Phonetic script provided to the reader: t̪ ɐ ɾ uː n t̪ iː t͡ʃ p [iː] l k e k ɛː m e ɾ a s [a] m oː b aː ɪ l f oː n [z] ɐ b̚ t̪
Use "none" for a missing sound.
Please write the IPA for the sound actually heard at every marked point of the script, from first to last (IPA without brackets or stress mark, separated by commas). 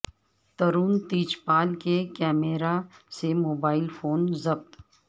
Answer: aː, e, z